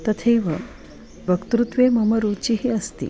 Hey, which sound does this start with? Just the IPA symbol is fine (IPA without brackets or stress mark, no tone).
t̪